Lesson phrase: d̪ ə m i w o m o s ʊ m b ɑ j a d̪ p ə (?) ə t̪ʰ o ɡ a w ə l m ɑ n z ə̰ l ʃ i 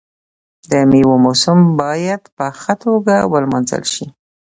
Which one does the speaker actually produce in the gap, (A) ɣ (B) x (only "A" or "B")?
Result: B